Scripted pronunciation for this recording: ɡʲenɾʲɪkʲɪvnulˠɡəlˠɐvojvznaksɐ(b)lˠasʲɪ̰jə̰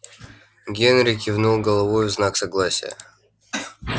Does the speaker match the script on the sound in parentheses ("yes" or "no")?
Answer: no